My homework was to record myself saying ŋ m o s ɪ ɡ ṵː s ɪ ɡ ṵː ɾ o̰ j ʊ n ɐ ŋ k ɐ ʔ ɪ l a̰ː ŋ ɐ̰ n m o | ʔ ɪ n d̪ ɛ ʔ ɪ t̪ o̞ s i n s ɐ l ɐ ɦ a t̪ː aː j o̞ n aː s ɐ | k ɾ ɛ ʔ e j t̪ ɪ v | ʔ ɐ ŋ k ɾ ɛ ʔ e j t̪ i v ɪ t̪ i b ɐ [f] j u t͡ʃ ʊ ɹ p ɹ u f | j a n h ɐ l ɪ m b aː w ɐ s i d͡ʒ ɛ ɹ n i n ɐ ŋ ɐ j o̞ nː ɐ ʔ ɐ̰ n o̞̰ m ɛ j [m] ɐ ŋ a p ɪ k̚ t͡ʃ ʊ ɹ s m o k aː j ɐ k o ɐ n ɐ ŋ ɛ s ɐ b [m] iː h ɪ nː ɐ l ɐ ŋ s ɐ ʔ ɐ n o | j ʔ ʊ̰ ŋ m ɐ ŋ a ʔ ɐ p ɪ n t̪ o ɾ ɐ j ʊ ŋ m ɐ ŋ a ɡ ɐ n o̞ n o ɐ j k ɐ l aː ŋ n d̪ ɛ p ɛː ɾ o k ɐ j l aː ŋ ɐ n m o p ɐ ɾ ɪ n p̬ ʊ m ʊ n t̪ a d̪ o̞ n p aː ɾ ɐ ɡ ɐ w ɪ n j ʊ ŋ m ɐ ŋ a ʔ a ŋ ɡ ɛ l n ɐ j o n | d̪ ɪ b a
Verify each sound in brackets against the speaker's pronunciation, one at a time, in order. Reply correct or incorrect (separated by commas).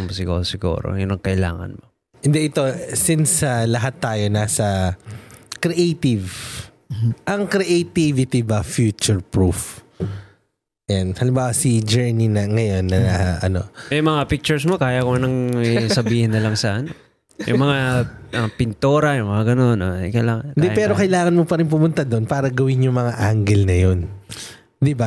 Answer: correct, correct, incorrect